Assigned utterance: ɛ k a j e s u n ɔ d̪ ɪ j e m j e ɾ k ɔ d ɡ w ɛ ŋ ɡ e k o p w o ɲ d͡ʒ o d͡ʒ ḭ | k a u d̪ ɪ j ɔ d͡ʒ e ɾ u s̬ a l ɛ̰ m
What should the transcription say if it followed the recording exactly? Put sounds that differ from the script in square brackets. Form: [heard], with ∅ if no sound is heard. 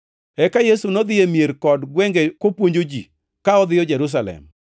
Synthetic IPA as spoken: ɛ k a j e s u n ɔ d̪ ɪ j e m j e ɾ k ɔ d ɡ w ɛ ŋ ɡ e k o p w o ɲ d͡ʒ o d͡ʒ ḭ | k a [ɔ] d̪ ɪ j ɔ d͡ʒ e ɾ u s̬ a l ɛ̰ m